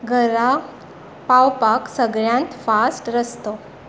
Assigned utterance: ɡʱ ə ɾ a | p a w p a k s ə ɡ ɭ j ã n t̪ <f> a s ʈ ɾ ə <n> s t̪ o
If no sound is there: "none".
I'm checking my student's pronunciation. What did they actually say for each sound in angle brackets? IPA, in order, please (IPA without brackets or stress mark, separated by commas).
f, none